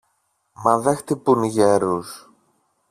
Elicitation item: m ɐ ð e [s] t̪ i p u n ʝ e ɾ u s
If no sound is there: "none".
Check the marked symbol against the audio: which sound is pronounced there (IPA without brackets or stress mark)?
x